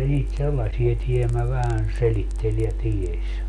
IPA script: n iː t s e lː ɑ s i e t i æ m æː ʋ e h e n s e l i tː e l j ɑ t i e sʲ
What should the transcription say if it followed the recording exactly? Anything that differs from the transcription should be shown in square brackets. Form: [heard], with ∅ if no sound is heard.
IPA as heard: n iː t s e lː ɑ s i e t i [e] m [æ] ʋ [æ] h [æ] n s e l i tː e l j ɑ t i e sʲ